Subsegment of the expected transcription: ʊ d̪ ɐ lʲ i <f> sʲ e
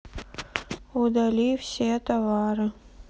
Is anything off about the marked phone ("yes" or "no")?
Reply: no